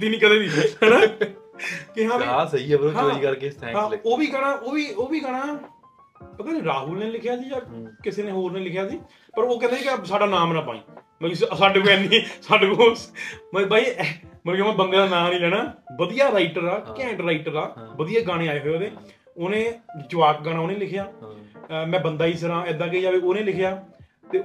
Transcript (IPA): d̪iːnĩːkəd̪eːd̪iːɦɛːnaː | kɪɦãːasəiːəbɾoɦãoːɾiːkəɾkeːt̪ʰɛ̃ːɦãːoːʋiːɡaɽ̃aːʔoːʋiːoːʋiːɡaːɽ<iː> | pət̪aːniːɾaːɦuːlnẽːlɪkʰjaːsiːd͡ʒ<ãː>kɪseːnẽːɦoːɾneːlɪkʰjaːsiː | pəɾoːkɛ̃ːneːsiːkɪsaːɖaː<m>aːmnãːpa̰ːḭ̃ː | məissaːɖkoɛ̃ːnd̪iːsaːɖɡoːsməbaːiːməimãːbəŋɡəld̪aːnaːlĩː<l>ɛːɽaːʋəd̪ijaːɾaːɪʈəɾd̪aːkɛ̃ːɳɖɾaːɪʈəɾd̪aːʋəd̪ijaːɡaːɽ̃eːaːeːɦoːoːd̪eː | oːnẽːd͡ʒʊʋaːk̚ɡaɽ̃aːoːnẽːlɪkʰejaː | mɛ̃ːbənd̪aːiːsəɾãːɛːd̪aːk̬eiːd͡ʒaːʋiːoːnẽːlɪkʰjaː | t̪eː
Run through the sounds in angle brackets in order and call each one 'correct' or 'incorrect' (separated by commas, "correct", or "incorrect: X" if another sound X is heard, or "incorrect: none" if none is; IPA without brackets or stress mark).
incorrect: aː, incorrect: aː, incorrect: n, correct